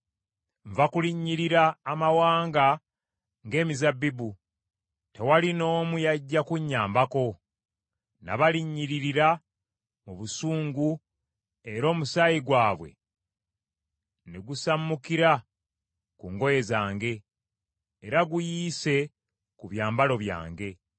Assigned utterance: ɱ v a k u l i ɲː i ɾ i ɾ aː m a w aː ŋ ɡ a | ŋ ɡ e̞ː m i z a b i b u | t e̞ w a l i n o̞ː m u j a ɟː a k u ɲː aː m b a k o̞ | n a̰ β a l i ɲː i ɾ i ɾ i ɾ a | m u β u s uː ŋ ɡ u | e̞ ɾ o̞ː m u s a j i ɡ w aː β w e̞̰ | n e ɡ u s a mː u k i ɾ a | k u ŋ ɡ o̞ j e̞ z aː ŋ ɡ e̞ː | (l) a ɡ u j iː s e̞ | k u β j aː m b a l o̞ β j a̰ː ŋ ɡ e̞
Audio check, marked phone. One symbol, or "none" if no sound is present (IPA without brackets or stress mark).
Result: ɾ